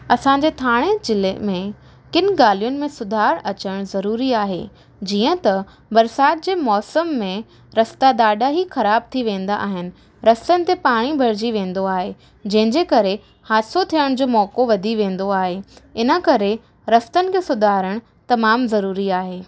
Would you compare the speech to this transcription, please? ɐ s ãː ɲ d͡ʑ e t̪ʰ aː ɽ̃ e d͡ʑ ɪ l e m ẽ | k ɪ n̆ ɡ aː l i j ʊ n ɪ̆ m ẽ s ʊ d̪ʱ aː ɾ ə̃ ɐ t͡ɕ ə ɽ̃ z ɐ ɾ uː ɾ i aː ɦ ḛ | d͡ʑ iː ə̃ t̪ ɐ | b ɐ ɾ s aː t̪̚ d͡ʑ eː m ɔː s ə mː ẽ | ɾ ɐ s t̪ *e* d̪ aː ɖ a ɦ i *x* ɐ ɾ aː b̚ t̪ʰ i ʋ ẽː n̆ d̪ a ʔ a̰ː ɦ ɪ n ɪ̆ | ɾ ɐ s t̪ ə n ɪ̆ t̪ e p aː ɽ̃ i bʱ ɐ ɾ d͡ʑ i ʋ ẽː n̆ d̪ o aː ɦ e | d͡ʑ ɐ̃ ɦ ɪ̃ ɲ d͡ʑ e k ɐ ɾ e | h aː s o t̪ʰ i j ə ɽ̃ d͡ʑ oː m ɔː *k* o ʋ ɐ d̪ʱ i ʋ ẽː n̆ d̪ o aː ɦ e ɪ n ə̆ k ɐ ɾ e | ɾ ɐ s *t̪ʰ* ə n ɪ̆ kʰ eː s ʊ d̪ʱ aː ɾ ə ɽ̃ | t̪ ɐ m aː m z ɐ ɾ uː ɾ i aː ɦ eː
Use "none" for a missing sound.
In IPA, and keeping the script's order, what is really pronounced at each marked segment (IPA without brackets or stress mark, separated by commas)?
a, x, k, t̪